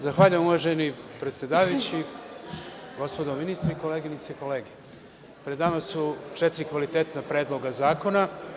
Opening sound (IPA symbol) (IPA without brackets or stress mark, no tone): z